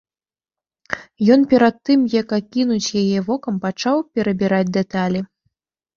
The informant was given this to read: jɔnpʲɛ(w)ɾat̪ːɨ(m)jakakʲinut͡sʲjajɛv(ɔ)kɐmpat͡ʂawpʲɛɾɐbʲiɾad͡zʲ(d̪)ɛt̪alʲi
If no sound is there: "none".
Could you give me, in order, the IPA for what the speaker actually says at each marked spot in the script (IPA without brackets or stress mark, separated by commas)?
none, m, ɔ, d̪